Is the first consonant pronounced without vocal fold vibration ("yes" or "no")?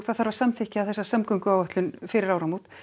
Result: yes